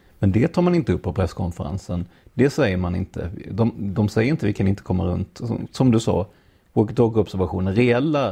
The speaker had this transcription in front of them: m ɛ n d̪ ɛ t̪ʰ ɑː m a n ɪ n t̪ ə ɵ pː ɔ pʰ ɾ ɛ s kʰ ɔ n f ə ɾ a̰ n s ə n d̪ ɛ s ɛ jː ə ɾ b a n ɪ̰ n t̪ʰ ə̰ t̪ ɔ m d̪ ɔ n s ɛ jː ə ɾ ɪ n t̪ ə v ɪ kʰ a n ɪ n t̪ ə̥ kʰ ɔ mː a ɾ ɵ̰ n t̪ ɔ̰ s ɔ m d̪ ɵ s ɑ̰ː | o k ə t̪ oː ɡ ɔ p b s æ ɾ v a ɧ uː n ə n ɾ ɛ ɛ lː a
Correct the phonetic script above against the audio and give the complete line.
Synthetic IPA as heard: m ɛ n d̪ ɛ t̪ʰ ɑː m a n ɪ n t̪ ə ɵ pː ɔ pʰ ɾ ɛ s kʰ ɔ n f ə ɾ a̰ n s ə n d̪ ɛ s ɛ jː ə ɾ m a n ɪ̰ n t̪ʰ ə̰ d̪ ɔ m d̪ ɔ m s ɛ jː ə ɾ ɪ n t̪ ə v ɪ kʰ a n ɪ n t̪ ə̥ kʰ ɔ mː a ɾ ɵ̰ n t̪ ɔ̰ s ɔ m d̪ ɵ s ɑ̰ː | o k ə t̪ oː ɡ ɔ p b s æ ɾ v a ɧ uː n ə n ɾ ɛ ɛ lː a